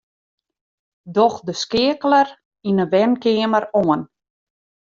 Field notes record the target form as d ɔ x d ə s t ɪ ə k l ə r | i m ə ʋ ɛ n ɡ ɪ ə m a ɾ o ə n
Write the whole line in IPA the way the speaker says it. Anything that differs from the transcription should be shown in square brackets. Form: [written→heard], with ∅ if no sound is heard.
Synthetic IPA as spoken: d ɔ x d ə s [t→k] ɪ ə k l ə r | i [m→n] ə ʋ ɛ n [ɡ→k] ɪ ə m [a→ə] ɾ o ə n